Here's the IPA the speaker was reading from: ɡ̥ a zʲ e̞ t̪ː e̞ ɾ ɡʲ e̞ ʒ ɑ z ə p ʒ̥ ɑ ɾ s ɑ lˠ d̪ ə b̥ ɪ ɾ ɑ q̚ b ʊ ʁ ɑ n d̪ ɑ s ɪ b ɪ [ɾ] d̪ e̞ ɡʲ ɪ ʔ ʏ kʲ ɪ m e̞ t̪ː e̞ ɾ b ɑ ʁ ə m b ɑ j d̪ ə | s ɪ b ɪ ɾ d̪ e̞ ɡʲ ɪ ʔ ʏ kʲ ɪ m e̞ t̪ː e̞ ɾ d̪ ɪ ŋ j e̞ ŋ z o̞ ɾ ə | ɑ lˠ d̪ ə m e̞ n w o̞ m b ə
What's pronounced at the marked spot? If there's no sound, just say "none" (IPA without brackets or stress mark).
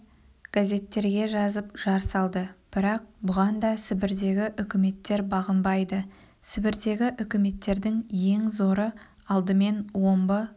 ɾ